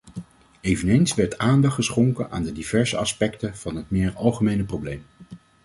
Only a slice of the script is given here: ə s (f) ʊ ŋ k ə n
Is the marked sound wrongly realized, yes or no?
yes